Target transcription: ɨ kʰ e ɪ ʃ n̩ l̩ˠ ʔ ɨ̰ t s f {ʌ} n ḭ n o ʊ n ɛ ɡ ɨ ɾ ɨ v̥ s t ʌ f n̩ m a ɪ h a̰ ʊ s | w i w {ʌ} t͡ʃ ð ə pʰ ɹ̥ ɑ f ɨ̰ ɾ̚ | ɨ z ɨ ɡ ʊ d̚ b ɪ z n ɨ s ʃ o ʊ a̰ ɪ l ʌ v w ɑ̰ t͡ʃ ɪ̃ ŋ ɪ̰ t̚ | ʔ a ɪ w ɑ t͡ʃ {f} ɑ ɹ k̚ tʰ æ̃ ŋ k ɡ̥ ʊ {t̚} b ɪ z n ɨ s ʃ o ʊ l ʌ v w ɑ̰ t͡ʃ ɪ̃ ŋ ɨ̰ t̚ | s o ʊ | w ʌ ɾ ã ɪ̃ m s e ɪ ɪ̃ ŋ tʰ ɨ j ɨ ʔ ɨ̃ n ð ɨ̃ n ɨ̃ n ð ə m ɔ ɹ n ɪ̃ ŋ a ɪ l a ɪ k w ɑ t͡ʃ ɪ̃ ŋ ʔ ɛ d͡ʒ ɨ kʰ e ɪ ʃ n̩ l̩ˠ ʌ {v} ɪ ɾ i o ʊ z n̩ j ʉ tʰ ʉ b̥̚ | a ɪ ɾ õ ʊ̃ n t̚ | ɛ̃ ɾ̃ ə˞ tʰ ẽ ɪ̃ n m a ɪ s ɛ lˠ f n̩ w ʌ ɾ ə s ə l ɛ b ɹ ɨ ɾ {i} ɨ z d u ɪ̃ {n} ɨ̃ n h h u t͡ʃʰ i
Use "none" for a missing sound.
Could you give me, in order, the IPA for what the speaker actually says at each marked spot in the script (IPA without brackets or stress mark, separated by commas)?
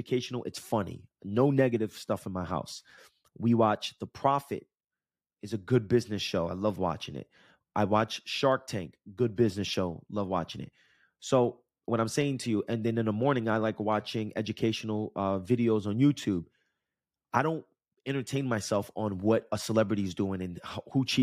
ʌ, ɑ, ʃ, d̚, v, i, ŋ